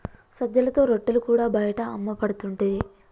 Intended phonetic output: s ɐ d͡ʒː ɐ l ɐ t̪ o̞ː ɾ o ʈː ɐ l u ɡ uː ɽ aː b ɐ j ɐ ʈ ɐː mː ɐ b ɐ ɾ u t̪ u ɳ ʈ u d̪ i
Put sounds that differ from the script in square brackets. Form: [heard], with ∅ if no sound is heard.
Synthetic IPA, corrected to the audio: s ɐ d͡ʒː ɐ l ɐ t̪ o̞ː ɾ o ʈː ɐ l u [k] uː ɽ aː b ɐ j ɐ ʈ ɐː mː ɐ [p] ɐ [ɽ] u t̪ u ɳ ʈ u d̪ i